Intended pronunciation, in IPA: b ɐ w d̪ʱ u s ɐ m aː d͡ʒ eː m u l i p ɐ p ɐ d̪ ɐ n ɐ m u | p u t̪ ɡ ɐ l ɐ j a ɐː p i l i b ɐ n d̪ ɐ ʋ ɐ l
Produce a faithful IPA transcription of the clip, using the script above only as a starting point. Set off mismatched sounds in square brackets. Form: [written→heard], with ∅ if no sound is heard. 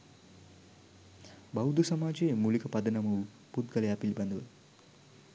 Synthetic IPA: b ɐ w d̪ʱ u s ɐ m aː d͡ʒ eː m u l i [p→k] ɐ p ɐ d̪ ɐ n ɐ m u | p u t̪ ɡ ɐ l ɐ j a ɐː p i l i b ɐ n d̪ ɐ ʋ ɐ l